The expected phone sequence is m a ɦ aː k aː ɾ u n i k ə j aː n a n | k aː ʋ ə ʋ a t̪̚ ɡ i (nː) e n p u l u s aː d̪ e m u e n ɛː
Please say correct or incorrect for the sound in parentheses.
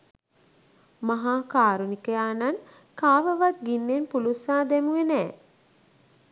correct